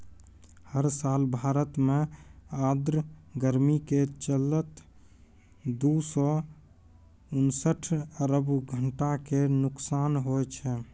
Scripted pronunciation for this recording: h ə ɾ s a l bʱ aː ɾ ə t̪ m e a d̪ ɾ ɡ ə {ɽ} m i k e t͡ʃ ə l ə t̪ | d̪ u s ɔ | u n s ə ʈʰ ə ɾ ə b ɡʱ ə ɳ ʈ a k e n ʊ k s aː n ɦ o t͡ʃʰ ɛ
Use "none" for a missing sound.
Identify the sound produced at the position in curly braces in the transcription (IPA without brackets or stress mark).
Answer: ɾ